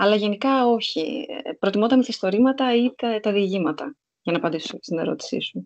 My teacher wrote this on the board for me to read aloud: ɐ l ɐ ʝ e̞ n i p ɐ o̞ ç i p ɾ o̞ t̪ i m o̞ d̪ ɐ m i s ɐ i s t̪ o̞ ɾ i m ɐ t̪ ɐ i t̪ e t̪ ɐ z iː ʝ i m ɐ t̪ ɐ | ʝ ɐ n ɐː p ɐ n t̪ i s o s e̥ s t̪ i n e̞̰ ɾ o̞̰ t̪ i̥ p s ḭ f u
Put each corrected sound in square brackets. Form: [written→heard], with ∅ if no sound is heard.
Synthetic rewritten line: ɐ l ɐ ʝ e̞ n i [p→k] ɐ o̞ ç i p ɾ o̞ t̪ i m o̞ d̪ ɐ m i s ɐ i s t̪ o̞ ɾ i m ɐ t̪ ɐ i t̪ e t̪ ɐ [z→ð] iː ʝ i m ɐ t̪ ɐ | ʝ ɐ n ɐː p ɐ n [t̪→d̪] i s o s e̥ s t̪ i n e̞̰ ɾ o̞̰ t̪ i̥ [p→∅] s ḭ [f→s] u